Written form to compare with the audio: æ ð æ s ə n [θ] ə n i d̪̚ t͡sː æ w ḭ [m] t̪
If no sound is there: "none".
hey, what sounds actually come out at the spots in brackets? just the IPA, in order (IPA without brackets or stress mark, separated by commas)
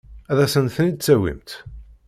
θ, m